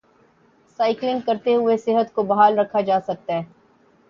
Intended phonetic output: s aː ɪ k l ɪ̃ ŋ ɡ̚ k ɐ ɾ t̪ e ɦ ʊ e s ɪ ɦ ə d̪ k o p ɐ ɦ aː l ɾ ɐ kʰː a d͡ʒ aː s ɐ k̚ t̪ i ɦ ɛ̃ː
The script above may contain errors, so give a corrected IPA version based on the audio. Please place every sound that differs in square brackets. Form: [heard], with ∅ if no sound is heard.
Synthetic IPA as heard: s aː ɪ k l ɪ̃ ŋ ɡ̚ k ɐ ɾ t̪ e ɦ ʊ e s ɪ ɦ ə [t̪] k o [b] ɐ ɦ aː l ɾ ɐ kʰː a d͡ʒ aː s ɐ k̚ t̪ [a] ɦ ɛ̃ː